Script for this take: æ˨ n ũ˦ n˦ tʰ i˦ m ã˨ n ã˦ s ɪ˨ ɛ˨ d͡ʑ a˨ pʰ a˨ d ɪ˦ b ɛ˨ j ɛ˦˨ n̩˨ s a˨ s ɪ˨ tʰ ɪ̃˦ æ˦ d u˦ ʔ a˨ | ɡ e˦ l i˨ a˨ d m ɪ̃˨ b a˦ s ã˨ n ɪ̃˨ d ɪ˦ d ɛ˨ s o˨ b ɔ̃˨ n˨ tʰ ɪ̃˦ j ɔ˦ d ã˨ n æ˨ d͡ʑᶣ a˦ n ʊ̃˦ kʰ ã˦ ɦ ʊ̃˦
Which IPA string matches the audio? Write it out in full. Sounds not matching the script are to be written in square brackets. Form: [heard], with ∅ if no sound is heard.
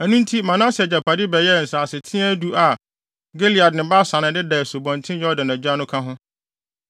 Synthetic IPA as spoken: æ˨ n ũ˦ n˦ tʰ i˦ m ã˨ n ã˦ s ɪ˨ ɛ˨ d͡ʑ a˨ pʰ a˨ d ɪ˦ b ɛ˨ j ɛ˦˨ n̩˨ s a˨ s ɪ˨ tʰ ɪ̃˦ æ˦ d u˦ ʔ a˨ | ɡ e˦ l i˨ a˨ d [n] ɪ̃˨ b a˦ s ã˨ n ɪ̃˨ d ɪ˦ d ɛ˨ s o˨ b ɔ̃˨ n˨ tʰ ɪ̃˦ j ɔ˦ d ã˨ n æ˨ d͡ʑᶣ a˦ n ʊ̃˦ kʰ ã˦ ɦ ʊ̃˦

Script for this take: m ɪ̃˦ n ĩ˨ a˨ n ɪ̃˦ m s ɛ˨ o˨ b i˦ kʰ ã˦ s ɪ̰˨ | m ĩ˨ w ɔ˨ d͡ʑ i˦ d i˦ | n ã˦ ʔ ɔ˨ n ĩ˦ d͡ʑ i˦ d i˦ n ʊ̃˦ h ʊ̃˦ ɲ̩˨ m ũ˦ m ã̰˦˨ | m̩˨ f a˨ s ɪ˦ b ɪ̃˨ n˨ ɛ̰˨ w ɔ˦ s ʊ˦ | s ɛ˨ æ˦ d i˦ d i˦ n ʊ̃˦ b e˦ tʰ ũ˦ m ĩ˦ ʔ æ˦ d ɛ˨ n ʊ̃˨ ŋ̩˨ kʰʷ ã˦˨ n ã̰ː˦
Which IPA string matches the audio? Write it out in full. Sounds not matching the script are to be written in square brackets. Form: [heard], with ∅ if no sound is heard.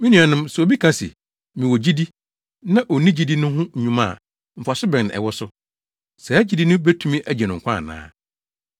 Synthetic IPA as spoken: m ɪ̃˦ n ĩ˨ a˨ n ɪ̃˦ m s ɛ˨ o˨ b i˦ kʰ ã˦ s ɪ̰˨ | m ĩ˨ w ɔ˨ d͡ʑ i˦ d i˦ | n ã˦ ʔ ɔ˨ n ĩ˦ d͡ʑ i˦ d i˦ n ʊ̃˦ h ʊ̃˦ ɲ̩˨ [ɲ] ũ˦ m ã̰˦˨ | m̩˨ f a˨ s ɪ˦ b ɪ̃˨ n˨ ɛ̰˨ w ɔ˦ s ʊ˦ | s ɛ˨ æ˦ [d͡ʑ] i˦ d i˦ n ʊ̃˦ b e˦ tʰ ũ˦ m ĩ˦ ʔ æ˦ [d͡ʑ] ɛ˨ n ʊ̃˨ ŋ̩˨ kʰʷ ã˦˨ n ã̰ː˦

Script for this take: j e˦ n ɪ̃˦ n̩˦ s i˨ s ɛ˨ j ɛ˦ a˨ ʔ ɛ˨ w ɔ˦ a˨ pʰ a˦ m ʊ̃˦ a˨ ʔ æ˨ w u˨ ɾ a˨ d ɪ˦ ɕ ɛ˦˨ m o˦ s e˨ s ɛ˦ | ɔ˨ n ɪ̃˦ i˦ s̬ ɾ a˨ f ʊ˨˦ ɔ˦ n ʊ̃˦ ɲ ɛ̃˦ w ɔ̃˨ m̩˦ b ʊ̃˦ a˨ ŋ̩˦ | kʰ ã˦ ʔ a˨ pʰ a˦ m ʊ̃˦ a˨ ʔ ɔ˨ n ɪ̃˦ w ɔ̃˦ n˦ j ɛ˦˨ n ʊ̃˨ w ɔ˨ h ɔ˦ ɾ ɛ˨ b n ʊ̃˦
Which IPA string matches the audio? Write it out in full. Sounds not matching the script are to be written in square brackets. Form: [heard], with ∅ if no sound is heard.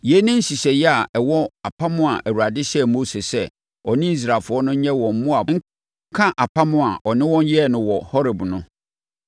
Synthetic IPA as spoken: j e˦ n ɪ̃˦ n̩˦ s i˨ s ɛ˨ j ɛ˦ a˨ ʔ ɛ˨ w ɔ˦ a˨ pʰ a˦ m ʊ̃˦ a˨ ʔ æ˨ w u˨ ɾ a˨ d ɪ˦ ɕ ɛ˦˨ m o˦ s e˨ s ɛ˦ | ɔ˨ n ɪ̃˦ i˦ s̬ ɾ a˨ f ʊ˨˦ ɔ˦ n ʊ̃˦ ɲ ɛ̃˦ w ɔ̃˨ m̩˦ [m] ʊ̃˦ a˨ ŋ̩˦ | kʰ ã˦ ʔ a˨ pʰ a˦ m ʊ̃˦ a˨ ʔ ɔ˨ n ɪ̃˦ w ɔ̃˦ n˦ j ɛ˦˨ n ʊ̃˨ w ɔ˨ h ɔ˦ ɾ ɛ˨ b n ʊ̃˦

